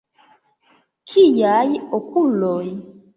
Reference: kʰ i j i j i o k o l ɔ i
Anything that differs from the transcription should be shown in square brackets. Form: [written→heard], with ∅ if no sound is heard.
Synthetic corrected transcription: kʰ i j [i→a] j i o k [o→u] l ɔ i